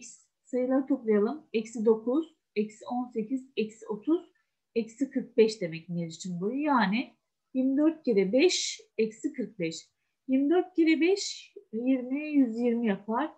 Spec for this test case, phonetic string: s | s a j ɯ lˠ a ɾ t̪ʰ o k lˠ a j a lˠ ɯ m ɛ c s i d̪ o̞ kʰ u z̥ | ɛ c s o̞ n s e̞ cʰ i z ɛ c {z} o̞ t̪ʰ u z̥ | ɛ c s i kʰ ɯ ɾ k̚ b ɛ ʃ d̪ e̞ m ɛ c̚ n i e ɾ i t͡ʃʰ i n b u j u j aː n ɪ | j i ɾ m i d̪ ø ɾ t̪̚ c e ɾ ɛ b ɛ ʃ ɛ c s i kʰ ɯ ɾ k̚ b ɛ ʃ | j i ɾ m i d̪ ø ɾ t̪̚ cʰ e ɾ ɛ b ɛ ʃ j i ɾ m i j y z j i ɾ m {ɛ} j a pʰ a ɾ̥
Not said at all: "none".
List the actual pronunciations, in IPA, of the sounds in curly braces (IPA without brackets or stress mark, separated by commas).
s, i